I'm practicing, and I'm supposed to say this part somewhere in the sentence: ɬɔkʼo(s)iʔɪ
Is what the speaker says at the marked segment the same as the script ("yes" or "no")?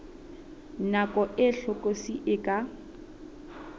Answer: yes